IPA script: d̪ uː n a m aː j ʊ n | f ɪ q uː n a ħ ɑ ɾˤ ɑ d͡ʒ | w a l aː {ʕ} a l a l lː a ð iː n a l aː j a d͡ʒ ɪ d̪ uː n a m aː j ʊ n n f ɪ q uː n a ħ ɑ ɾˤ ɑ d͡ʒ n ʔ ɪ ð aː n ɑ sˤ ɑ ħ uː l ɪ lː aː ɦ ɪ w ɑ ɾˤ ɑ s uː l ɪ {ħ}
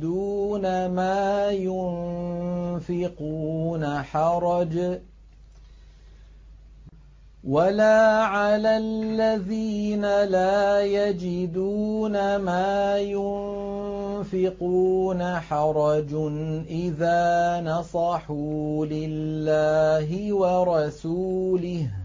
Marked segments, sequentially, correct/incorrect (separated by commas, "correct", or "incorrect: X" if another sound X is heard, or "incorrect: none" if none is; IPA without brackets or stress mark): correct, incorrect: h